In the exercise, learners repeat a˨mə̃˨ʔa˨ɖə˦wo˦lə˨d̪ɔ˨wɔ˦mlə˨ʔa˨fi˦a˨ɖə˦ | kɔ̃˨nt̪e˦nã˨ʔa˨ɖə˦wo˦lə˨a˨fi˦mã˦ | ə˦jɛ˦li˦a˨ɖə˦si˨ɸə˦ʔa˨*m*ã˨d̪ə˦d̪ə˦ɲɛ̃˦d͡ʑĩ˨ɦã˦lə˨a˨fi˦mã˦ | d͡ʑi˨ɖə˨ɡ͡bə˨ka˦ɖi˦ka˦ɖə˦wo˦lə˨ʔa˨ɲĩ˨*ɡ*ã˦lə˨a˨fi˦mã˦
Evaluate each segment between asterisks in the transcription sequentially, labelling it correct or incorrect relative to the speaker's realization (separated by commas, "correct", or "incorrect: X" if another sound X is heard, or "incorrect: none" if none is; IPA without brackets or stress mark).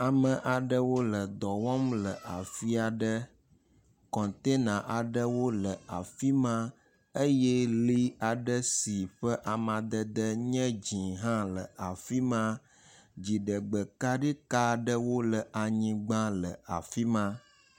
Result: correct, incorrect: ɡ͡b